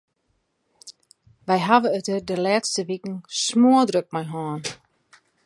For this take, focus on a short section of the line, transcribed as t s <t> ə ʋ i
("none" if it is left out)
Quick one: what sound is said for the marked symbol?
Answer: t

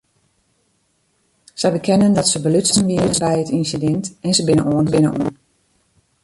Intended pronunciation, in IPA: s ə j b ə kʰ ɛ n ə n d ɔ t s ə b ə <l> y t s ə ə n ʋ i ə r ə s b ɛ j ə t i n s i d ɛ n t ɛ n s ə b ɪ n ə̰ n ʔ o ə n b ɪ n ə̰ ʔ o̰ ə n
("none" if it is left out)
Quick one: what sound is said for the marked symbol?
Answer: l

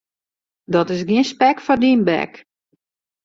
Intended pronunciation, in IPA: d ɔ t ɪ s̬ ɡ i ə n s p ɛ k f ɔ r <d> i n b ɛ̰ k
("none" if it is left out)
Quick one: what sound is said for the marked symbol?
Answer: d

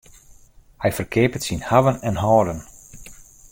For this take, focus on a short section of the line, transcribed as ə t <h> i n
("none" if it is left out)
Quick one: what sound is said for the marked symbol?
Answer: s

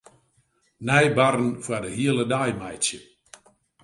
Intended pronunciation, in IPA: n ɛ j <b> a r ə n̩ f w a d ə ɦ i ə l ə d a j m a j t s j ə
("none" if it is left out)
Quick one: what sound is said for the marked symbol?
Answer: b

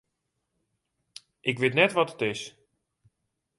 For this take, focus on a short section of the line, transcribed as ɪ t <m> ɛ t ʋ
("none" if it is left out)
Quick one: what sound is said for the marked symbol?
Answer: n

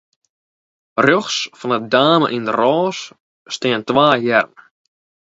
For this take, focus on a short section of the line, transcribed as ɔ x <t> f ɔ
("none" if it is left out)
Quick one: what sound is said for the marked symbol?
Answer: s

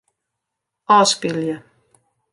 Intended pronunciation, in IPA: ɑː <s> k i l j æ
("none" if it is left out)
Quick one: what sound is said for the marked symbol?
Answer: s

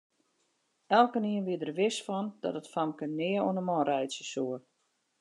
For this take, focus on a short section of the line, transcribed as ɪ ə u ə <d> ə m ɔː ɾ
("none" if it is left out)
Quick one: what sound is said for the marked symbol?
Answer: n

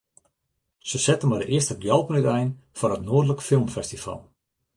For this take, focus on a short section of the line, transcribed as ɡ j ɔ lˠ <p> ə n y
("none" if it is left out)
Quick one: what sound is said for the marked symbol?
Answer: p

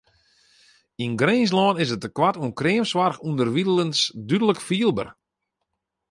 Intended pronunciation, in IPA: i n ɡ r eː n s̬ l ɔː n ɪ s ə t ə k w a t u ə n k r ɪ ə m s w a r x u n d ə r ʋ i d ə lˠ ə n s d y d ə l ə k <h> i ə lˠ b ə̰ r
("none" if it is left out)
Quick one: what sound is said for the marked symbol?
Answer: f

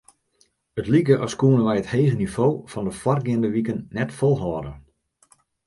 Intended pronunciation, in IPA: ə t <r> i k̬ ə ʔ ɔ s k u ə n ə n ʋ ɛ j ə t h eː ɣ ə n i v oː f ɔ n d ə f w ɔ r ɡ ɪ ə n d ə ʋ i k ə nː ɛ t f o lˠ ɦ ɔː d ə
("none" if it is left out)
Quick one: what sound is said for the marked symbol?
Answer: l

